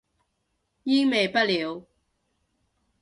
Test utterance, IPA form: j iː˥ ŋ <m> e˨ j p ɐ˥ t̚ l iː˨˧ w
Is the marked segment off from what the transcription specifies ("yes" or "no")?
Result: no